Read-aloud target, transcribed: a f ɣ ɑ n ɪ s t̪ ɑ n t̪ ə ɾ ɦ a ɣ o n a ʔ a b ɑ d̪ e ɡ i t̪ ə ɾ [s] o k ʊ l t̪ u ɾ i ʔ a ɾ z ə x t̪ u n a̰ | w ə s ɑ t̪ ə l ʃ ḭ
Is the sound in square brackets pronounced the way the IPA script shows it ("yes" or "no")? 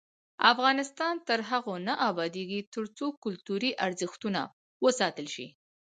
no